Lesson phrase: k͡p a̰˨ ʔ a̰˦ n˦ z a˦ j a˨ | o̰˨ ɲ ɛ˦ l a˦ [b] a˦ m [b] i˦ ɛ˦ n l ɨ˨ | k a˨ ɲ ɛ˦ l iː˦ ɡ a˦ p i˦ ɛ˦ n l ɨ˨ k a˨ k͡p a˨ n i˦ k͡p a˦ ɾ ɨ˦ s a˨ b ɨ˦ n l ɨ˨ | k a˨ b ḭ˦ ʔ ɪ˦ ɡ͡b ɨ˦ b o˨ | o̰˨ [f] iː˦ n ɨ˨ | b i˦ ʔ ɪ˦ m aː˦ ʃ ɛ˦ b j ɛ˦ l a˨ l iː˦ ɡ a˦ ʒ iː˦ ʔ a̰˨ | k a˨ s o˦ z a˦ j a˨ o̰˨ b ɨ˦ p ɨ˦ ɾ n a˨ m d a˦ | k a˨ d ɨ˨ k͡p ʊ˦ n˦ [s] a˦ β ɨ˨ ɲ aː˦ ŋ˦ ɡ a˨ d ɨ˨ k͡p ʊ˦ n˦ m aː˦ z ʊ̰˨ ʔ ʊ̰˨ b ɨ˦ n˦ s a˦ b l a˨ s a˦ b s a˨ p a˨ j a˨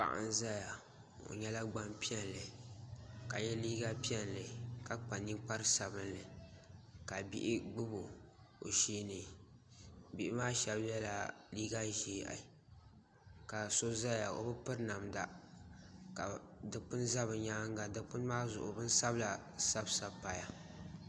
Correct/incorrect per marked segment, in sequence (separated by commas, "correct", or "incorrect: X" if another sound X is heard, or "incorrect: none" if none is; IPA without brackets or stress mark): incorrect: ɡ͡b, incorrect: p, incorrect: ʃ, incorrect: z